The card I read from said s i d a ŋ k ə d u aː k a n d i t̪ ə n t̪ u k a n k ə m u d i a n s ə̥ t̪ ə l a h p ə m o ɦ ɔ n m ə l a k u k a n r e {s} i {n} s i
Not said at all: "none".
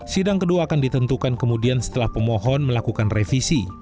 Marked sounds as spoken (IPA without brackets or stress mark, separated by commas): f, none